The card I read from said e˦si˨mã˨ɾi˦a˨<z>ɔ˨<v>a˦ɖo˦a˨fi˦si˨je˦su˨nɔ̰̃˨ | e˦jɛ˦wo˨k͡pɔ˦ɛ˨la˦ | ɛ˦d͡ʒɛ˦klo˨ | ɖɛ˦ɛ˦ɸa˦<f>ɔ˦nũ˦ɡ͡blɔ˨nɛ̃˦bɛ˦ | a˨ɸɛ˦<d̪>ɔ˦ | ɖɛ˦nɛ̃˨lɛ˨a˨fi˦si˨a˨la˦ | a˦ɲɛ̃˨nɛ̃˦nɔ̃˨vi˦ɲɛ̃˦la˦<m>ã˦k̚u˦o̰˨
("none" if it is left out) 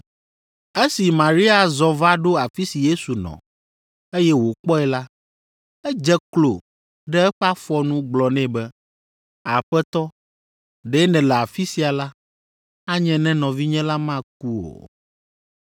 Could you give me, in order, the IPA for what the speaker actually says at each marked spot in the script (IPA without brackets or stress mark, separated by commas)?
z, v, f, t̪, m